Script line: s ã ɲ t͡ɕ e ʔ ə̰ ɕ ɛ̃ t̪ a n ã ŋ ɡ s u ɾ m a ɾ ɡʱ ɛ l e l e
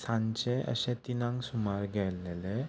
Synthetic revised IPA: s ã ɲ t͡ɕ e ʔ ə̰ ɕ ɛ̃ t̪ i n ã ŋ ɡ s u m a ɾ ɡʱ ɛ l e l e